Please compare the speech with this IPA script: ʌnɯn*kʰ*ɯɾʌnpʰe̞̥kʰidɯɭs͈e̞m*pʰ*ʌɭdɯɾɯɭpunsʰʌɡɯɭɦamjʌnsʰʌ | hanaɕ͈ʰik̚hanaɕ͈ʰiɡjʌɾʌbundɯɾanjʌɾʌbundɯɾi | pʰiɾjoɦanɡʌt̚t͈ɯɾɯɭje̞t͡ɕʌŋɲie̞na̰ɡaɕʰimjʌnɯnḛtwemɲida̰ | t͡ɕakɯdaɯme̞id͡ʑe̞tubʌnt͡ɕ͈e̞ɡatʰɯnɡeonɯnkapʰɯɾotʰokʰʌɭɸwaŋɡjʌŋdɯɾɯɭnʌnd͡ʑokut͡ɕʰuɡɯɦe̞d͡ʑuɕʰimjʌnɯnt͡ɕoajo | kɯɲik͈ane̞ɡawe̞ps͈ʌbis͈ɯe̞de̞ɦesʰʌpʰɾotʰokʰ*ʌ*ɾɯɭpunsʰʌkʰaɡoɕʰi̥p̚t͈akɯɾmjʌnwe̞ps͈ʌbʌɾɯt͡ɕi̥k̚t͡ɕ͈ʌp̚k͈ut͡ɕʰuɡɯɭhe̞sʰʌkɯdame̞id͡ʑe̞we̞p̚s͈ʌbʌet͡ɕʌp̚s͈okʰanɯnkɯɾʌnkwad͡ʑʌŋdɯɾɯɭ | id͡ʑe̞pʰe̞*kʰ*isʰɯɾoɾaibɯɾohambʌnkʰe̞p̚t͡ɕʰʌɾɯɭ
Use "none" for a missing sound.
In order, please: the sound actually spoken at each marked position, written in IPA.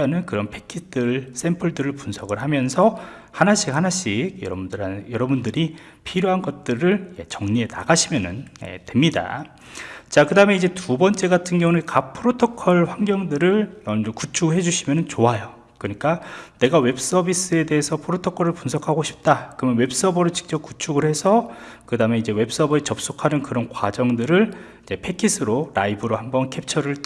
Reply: k, pʰ, ʌ, kʰ

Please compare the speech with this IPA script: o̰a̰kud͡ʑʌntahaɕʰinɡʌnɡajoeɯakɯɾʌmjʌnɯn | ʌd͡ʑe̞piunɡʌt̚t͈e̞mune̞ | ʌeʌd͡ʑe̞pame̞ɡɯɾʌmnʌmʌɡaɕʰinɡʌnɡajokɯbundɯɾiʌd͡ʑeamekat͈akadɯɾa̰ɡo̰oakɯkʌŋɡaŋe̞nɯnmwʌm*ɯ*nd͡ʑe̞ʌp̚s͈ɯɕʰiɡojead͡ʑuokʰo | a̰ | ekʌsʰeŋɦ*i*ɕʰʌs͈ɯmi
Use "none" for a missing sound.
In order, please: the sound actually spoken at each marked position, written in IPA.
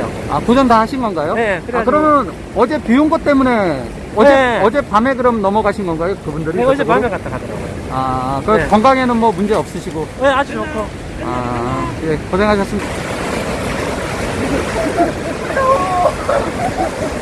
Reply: u, a

